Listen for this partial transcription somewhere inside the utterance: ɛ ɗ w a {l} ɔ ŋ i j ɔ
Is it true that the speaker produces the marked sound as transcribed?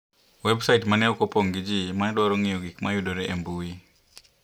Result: no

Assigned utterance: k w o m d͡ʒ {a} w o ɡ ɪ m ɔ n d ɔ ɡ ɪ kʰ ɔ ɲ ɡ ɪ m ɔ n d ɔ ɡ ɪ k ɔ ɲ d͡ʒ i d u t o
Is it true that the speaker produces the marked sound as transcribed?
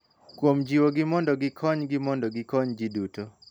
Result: no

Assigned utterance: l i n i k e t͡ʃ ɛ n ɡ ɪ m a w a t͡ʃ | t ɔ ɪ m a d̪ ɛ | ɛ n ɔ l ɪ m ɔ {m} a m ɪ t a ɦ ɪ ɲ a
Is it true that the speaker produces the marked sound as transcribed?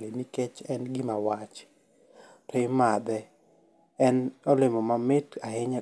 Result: yes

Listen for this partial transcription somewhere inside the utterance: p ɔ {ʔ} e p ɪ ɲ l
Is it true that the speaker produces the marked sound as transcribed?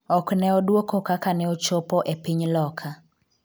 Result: yes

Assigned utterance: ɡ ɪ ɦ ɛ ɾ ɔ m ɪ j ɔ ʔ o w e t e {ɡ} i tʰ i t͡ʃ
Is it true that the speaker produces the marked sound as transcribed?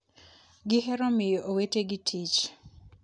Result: yes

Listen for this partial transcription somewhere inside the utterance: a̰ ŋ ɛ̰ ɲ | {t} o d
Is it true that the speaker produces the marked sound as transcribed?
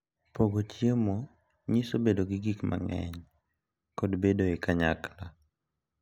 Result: no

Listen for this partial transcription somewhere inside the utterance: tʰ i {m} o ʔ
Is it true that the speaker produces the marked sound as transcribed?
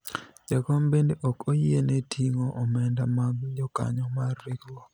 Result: no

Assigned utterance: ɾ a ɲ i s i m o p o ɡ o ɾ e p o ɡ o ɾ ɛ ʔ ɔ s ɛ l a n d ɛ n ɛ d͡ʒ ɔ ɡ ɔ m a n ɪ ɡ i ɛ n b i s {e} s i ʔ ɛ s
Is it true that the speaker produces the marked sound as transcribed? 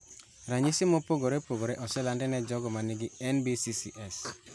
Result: no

